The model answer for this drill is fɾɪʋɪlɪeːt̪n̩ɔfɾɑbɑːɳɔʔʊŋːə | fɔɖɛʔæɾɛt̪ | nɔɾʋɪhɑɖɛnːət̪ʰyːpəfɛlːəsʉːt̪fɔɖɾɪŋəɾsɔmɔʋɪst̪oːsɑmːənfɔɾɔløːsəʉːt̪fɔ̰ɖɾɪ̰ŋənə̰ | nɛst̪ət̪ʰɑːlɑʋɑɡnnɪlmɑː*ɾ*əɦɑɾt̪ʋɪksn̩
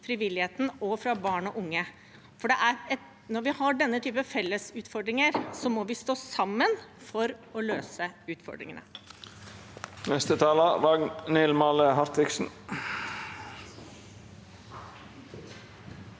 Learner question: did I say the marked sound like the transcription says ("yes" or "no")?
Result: no